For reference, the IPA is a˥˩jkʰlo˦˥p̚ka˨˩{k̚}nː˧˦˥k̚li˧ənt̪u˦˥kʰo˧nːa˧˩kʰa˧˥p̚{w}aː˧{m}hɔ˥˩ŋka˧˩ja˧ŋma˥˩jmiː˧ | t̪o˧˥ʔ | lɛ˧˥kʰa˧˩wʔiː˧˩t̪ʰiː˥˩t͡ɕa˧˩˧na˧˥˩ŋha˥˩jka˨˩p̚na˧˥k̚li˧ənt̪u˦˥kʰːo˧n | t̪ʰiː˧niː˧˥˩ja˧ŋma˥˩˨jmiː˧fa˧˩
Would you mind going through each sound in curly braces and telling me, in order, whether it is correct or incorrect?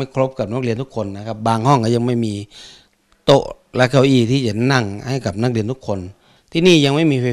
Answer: incorrect, incorrect, incorrect

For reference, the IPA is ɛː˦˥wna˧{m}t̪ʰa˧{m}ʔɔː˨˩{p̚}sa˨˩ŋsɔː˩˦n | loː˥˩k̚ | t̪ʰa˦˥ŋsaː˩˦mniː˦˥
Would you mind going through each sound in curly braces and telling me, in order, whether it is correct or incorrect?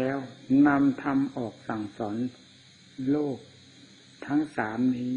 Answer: correct, correct, incorrect

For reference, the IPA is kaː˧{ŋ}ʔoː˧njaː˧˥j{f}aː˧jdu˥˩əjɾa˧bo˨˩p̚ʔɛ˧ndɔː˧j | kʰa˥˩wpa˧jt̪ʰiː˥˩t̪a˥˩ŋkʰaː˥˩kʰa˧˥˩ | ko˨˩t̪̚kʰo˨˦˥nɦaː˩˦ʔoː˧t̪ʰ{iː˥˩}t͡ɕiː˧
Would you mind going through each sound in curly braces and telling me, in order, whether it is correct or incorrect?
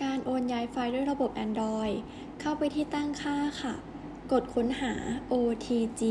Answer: incorrect, correct, incorrect

